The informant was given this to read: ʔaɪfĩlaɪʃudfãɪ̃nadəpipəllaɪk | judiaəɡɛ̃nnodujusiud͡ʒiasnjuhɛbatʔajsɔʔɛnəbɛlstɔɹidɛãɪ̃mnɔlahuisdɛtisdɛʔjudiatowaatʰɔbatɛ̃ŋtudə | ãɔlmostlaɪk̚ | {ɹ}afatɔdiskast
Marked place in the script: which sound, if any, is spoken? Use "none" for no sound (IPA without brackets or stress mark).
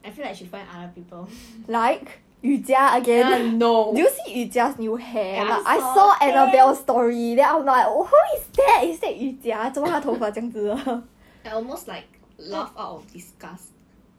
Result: l